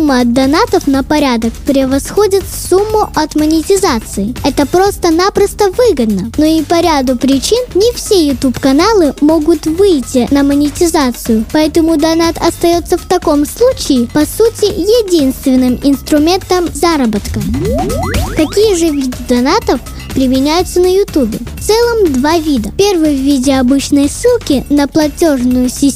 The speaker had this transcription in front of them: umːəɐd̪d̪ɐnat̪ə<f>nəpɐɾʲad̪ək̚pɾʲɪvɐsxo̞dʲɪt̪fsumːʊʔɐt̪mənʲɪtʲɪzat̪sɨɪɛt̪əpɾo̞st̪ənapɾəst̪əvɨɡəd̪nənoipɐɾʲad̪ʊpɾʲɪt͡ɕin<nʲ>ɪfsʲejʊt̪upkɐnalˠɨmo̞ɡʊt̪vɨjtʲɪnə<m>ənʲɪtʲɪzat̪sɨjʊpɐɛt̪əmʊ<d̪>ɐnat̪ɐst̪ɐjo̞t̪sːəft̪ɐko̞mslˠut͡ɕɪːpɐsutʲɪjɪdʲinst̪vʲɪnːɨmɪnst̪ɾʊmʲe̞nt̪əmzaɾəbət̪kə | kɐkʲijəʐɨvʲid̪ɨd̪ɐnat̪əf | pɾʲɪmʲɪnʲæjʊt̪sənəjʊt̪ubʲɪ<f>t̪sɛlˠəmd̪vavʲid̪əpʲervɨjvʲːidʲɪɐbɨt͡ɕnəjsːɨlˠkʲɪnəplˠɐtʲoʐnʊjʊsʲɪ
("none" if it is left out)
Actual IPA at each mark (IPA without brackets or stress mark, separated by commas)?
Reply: f, nʲ, m, d̪, f